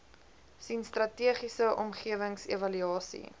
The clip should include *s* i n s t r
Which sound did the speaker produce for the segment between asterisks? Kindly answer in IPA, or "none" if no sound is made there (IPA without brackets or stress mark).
s